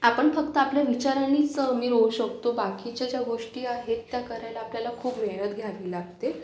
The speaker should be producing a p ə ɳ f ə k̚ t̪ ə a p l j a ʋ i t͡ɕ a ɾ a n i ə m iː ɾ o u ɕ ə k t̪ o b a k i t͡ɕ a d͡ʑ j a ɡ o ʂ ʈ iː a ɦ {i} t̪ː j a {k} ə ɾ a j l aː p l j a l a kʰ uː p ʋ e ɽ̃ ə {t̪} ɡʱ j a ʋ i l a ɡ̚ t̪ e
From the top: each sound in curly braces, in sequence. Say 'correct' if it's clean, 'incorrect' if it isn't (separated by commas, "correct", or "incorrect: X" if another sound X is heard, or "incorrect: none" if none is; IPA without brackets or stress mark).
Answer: incorrect: e, correct, correct